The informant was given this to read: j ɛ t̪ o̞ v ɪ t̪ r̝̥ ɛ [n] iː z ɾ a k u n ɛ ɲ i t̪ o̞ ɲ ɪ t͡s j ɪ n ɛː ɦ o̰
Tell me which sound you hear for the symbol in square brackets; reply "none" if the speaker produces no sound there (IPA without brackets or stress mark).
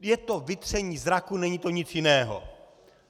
ɲ